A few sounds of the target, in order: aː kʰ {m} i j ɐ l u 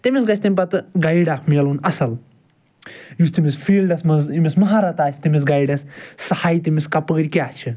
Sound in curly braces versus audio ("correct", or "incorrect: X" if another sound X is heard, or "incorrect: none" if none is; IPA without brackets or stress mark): correct